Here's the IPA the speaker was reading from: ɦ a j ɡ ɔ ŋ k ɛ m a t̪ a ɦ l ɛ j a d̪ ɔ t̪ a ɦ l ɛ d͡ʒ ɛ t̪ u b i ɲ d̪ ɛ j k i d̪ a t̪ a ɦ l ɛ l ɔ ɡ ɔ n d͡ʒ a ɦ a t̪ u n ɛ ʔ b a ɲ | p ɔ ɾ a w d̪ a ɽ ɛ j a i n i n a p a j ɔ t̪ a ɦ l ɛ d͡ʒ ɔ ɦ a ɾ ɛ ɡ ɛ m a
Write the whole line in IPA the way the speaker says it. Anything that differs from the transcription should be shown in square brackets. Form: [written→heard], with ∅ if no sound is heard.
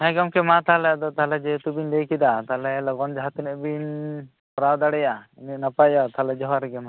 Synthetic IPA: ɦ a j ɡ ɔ [ŋ→m] k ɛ m a t̪ a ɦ l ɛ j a d̪ ɔ t̪ a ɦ l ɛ d͡ʒ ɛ t̪ u b i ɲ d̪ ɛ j k i d̪ a t̪ a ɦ l ɛ l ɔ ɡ ɔ n d͡ʒ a ɦ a t̪ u n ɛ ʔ b [a→i] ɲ | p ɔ ɾ a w d̪ a ɽ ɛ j a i n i n a p a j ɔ t̪ a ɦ l ɛ d͡ʒ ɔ ɦ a ɾ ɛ ɡ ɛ m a